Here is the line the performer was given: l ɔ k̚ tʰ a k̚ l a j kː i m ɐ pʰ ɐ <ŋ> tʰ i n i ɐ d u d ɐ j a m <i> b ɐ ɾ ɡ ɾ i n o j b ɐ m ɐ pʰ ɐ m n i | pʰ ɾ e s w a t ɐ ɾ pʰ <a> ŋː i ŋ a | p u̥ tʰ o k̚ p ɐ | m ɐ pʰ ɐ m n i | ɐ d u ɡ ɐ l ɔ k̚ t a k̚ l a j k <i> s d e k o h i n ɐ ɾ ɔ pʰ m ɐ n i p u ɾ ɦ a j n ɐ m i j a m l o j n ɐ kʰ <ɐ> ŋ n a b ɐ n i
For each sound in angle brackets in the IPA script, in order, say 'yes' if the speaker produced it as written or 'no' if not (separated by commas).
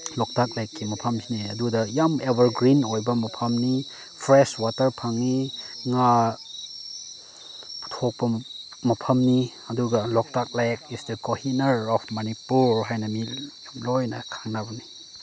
no, no, yes, yes, no